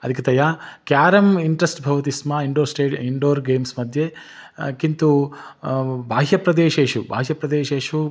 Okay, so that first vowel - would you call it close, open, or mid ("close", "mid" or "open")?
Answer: open